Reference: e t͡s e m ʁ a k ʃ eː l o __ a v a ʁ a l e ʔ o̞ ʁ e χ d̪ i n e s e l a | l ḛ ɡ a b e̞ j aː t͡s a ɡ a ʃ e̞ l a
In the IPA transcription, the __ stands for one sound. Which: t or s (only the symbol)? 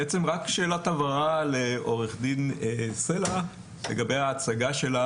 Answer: t